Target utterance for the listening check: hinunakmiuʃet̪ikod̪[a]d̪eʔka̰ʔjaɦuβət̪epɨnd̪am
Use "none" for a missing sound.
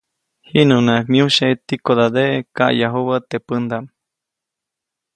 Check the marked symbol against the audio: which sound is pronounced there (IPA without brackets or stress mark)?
a